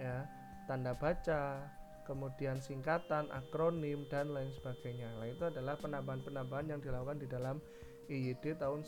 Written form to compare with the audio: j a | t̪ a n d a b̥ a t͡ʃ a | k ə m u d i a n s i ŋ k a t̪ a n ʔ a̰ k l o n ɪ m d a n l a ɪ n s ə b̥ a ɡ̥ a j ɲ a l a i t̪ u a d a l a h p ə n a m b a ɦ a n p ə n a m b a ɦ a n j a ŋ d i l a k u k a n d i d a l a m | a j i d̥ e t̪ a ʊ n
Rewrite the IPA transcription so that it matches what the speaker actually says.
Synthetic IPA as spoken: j a | t̪ a n d a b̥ a t͡ʃ a | k ə m u d i a n s i ŋ k a t̪ a n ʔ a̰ k ɾ o n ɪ m d a n l a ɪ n s ə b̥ a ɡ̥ a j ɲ a l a i t̪ u a d a l a h p ə n a m b a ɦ a n p ə n a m b a ɦ a n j a ŋ d i l a k u k a n d i d a l a m | i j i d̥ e t̪ a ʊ n